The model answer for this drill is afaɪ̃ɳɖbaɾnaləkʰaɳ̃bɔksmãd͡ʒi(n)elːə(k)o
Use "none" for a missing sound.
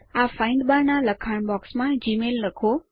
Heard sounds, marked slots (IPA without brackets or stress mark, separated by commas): m, kʰ